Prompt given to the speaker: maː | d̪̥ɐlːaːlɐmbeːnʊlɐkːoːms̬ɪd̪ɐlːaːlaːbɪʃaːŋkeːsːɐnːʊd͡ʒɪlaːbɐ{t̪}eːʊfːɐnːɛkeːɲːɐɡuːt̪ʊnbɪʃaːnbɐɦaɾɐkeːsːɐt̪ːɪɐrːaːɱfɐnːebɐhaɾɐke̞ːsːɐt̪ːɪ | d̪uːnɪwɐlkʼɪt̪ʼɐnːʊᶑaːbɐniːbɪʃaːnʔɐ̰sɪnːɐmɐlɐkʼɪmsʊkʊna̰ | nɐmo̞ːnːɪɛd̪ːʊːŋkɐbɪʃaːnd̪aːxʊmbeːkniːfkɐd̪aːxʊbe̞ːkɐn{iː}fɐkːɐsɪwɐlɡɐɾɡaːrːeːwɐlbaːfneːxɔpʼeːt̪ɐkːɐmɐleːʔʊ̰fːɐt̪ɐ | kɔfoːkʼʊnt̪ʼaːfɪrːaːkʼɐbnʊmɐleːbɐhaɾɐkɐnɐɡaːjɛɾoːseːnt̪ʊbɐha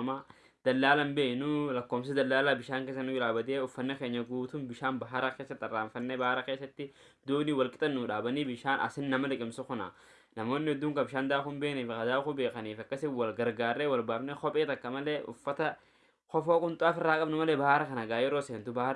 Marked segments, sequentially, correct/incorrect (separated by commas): incorrect, correct